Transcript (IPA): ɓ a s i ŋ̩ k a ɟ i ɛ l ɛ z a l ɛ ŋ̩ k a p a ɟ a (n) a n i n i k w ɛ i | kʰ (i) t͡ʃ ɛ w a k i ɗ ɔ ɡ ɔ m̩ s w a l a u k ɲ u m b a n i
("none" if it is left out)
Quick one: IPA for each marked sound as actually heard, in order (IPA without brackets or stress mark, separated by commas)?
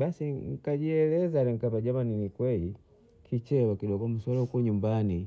m, i